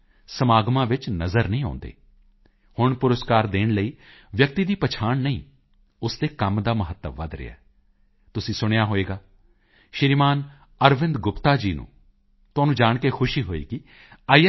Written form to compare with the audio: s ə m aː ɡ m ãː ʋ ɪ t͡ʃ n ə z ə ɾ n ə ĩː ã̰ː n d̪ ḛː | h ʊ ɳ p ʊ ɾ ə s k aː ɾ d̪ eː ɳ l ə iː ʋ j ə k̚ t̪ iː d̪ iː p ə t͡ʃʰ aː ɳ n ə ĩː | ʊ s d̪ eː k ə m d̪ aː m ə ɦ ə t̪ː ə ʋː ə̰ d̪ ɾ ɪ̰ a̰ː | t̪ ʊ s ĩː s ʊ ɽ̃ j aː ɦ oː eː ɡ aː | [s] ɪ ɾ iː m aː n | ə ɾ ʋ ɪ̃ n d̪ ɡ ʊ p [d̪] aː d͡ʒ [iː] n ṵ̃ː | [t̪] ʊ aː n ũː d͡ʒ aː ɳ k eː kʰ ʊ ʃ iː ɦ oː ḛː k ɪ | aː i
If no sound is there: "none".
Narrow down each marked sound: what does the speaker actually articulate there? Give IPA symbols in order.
ʃ, t̪, iː, t̪

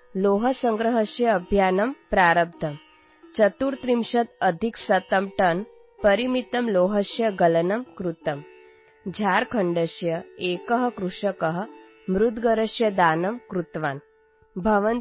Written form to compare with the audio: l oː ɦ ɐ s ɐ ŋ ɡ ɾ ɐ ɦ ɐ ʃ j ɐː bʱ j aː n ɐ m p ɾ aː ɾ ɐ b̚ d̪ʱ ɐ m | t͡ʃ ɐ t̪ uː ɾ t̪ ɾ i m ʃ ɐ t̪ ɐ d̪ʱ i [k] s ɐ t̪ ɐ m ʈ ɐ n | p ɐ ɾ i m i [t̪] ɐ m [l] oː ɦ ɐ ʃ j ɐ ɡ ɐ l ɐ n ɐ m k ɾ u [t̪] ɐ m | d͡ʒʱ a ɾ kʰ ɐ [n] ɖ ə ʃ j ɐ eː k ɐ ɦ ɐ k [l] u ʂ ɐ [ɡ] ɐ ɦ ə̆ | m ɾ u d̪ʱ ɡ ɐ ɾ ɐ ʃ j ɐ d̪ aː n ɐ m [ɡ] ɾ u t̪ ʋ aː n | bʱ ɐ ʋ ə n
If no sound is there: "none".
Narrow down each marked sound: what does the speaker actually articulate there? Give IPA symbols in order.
k, t̪, l, t̪, ɳ, ɾ, k, k

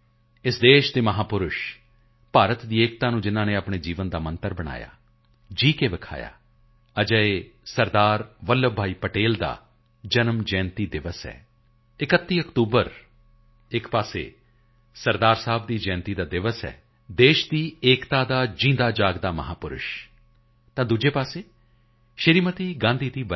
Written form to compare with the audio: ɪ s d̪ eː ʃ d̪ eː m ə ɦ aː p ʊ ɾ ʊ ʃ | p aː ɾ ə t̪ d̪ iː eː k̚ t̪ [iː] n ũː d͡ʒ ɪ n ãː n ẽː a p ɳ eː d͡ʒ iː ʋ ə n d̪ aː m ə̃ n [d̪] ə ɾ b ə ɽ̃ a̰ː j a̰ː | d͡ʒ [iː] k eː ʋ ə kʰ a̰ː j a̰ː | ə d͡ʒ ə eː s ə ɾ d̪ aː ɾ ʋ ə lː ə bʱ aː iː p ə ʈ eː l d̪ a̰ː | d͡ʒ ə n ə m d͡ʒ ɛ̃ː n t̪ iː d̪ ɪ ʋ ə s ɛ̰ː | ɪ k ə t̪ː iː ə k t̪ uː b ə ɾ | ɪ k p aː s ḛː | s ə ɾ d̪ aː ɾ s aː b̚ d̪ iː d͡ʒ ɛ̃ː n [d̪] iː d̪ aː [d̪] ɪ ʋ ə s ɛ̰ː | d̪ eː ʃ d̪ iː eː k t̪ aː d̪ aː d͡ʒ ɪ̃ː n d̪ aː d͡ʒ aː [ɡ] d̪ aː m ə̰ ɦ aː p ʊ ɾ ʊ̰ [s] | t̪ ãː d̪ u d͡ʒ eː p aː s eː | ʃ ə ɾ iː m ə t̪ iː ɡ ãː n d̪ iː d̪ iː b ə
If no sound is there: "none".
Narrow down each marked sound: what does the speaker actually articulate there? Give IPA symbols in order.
aː, t̪, iː, t̪, d̪, ɡ, ʃ

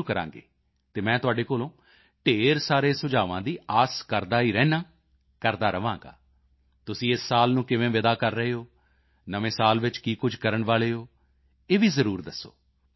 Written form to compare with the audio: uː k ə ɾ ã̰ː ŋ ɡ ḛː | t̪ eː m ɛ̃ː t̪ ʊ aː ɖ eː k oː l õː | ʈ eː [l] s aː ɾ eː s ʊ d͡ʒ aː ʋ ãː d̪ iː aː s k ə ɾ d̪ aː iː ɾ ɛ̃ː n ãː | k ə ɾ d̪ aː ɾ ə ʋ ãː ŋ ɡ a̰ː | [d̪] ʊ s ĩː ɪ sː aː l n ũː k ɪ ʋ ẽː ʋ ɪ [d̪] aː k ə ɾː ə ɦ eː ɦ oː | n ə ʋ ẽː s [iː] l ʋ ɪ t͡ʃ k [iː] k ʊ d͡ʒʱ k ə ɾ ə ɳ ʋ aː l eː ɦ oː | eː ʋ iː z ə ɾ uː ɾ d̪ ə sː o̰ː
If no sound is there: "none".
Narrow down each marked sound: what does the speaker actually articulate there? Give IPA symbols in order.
ɾ, t̪, d̪, aː, iː

